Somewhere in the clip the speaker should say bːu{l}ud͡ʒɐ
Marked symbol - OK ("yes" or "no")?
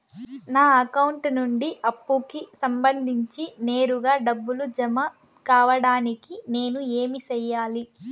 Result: yes